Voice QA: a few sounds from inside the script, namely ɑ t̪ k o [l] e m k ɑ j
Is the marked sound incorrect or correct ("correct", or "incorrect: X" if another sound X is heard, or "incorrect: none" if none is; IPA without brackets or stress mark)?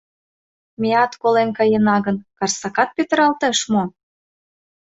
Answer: correct